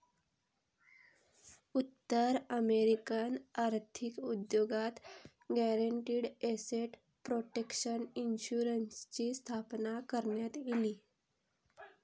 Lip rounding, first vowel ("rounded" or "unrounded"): rounded